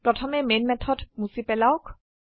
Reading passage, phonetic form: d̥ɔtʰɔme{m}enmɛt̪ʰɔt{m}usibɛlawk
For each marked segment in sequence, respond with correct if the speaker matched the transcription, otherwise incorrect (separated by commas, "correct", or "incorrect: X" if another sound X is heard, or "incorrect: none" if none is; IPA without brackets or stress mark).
correct, correct